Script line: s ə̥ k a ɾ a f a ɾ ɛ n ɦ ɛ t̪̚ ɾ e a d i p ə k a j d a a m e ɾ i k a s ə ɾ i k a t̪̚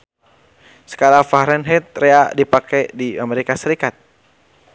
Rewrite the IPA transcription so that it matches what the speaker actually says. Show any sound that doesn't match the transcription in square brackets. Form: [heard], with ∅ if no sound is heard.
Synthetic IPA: s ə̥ k a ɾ a f a ɾ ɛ n ɦ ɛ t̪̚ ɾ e a d i p [a] k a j d [i] a m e ɾ i k a s ə ɾ i k a t̪̚